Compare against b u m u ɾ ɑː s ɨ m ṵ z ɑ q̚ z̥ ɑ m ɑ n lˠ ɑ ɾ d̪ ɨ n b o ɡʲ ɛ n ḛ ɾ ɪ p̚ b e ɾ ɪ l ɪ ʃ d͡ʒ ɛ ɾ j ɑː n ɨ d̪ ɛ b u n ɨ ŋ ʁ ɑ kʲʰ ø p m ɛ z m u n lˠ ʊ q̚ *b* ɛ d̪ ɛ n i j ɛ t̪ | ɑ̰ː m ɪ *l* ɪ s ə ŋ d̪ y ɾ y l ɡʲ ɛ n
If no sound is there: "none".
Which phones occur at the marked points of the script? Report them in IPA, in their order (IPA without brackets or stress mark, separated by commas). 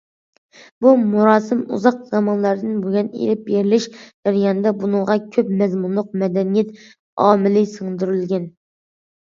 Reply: m, l